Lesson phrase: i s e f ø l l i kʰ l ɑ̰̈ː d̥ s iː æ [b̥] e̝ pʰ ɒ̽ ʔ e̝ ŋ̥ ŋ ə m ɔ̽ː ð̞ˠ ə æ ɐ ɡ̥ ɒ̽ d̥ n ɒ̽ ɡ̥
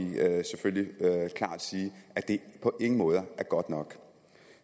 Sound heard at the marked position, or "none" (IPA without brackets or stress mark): d̥